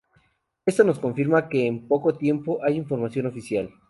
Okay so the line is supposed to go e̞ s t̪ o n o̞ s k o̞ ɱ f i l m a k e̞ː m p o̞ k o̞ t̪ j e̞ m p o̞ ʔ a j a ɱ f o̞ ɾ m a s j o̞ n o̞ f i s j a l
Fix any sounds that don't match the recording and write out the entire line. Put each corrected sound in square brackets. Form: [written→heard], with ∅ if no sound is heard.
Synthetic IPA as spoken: e̞ s t̪ o n o̞ s k o̞ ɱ f i [l→ɾ] m a k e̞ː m p o̞ k o̞ t̪ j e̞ m p o̞ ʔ a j [a→i] ɱ f o̞ ɾ m a s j o̞ n o̞ f i s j a l